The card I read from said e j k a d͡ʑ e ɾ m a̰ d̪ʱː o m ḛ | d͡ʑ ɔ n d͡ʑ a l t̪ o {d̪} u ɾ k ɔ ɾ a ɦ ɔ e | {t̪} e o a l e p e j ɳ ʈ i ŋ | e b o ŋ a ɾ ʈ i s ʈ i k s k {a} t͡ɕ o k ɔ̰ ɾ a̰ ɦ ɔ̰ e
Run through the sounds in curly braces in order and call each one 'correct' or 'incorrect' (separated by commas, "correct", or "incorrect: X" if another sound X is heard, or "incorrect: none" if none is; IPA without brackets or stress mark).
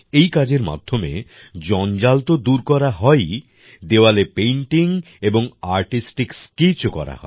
correct, incorrect: d̪, incorrect: i